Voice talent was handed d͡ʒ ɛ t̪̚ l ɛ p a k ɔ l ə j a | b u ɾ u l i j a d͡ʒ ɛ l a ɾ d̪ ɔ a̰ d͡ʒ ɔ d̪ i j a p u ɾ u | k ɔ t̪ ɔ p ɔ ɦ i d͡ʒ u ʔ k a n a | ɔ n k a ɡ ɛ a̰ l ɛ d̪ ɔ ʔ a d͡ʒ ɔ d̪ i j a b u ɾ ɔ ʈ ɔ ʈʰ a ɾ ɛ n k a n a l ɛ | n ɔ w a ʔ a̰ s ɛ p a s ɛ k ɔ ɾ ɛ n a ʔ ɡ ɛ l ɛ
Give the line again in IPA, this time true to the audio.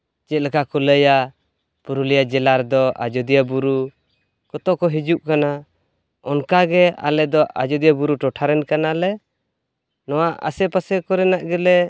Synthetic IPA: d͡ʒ ɛ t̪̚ l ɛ k a k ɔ l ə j a | p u ɾ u l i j a d͡ʒ ɛ l a ɾ d̪ ɔ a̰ d͡ʒ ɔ d̪ i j a b u ɾ u | k ɔ t̪ ɔ k ɔ ɦ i d͡ʒ u ʔ k a n a | ɔ n k a ɡ ɛ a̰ l ɛ d̪ ɔ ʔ a d͡ʒ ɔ d̪ i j a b u ɾ u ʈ ɔ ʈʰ a ɾ ɛ n k a n a l ɛ | n ɔ w a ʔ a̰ s ɛ p a s ɛ k ɔ ɾ ɛ n a ʔ ɡ ɛ l ɛ